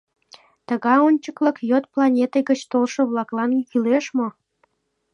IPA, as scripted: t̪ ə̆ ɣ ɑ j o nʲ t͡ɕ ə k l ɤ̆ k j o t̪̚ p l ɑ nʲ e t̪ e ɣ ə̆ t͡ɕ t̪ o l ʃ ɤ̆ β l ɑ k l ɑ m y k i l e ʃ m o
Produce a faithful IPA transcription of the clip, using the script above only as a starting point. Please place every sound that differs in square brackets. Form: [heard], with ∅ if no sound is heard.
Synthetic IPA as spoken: t̪ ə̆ ɣ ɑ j o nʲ t͡ɕ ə k l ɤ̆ k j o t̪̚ p l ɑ nʲ e t̪ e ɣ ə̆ t͡ɕ t̪ o l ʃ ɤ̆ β l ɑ k l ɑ [n] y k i l e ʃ m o